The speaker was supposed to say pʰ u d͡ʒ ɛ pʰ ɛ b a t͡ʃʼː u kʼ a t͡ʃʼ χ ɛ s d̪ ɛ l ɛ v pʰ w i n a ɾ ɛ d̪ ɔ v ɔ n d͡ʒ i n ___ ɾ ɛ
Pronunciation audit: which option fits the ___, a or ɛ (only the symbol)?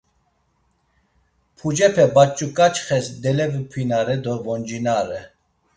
a